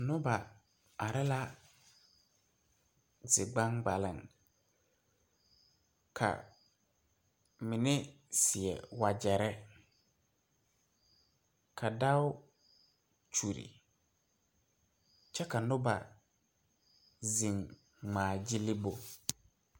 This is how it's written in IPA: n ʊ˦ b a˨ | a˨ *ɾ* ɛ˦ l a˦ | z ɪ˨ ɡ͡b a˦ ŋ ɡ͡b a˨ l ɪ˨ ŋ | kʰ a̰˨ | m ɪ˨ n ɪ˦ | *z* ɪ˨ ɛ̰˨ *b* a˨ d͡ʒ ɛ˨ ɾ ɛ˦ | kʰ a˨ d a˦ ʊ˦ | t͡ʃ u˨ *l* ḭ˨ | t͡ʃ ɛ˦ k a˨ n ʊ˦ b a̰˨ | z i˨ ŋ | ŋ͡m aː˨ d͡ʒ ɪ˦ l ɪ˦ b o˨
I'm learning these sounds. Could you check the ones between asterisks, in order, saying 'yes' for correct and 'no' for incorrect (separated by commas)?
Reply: yes, no, no, no